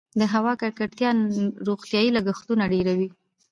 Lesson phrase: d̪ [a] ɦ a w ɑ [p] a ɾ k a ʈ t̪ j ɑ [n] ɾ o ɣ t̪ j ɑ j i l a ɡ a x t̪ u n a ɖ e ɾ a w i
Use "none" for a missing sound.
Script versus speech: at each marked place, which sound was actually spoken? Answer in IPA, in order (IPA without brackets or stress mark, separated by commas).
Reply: ə, k, n